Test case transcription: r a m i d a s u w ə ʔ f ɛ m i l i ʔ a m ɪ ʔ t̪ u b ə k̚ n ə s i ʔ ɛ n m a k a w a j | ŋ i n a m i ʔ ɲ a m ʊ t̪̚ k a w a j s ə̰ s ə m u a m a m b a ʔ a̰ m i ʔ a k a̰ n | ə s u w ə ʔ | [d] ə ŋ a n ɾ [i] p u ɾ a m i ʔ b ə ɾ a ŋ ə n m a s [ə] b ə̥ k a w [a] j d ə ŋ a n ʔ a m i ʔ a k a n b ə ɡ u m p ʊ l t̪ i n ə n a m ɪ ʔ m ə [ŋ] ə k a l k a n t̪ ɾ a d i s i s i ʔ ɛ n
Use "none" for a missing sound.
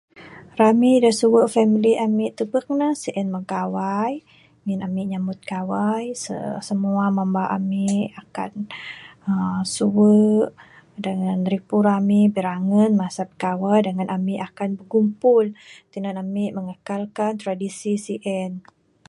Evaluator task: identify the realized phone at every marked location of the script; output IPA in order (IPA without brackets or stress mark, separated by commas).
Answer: d, i, a, a, ŋ